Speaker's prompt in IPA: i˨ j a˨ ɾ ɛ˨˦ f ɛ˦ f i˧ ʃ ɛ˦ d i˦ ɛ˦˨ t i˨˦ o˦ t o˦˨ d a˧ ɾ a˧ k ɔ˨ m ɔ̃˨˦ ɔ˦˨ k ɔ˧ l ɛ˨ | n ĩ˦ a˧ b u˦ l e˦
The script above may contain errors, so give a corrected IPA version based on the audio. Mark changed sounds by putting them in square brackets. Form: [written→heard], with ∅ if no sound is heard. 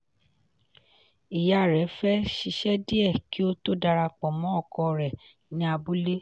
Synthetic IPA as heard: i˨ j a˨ ɾ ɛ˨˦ f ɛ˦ [f→ʃ] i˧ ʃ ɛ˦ d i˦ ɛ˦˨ [t→k] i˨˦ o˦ t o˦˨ d a˧ ɾ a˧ [k→k͡p] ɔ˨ m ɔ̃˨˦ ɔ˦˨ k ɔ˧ [l→ɾ] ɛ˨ | n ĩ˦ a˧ b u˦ l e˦